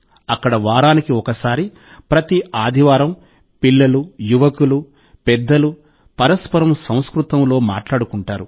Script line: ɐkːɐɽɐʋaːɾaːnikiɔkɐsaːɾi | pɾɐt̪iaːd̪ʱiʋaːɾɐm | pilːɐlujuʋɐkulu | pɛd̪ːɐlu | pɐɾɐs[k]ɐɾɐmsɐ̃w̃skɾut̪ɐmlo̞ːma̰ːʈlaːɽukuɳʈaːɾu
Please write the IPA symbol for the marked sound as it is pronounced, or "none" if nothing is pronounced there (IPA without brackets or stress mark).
p